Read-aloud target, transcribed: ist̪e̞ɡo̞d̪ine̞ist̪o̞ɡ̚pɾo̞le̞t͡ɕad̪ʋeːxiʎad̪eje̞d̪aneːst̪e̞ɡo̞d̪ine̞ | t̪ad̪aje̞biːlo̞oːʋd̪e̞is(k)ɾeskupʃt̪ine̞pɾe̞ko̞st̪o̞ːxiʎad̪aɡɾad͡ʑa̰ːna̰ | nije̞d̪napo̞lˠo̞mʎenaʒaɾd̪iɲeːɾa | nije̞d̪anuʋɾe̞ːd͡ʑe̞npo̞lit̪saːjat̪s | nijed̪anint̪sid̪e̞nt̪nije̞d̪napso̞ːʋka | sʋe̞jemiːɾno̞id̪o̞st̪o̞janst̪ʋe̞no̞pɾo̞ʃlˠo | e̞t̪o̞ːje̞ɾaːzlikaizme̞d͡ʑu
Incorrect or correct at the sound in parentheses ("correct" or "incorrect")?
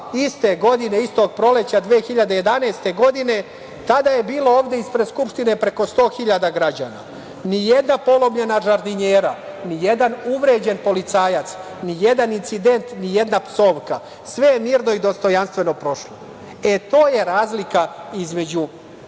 incorrect